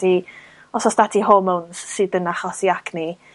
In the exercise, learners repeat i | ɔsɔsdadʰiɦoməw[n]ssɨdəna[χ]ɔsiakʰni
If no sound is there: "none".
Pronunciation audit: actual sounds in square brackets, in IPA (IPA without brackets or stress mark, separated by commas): n, χ